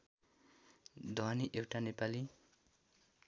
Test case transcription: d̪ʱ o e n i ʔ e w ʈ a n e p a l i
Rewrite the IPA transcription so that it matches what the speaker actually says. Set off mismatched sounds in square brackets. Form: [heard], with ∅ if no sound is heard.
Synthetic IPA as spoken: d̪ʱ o [a] n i ʔ e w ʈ a n e p a l i